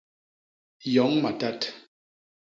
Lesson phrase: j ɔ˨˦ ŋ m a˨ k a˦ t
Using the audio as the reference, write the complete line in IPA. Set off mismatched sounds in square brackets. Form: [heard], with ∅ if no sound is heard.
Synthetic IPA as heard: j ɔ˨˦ ŋ m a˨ [t] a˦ t

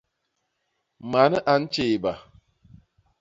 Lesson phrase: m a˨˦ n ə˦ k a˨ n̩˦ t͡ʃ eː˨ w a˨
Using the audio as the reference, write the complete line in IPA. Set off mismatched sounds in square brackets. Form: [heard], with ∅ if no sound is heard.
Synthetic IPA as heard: m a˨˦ n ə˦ [ʔ] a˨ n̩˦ t͡ʃ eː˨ [b] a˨

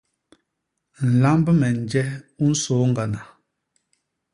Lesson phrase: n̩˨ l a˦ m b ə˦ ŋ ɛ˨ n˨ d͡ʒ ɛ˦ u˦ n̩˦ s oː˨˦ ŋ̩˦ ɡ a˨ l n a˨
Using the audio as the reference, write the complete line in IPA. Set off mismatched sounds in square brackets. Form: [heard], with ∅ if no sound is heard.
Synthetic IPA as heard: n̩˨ l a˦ m b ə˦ [m] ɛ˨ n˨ d͡ʒ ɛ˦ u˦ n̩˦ s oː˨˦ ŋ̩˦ ɡ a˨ [∅] n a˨

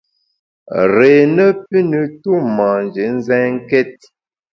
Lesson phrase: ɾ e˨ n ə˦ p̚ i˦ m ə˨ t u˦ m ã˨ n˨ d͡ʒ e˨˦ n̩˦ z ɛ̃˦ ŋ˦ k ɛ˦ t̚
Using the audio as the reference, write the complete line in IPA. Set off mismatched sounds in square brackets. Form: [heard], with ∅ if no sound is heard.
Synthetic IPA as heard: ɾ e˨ n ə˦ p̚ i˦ [n] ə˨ t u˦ m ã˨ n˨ d͡ʒ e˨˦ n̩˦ z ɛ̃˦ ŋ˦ k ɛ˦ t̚

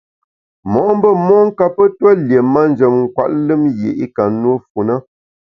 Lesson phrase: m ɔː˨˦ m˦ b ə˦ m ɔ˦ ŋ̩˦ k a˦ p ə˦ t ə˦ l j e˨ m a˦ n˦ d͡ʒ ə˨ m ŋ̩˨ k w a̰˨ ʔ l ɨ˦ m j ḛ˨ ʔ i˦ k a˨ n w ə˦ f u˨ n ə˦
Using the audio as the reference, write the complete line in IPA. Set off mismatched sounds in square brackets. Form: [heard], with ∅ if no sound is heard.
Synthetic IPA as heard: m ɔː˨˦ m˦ b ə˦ m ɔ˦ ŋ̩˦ k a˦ p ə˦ t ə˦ l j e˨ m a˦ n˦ d͡ʒ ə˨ m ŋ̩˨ k w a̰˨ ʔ l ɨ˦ m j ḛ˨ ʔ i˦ k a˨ n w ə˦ f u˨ n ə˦

